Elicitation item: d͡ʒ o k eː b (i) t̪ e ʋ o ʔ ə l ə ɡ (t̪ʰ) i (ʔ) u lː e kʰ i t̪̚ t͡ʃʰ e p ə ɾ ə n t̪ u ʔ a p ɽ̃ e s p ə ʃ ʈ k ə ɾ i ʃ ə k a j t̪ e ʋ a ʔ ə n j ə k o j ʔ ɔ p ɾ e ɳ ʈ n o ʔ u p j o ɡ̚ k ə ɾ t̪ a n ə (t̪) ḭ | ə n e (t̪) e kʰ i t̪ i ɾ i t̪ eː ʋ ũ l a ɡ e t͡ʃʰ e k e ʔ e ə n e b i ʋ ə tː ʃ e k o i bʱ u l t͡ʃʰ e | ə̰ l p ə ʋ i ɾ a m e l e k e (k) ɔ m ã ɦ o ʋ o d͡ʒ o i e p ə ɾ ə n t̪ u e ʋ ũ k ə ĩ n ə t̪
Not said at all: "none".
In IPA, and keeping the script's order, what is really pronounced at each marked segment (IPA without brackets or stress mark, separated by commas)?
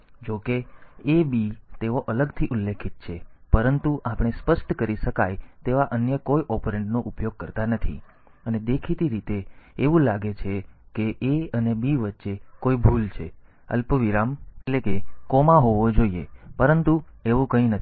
i, t̪ʰ, ʔ, t̪ʰ, d̪, k